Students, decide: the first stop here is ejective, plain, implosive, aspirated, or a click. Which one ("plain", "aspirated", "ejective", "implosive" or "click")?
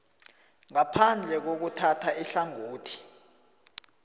aspirated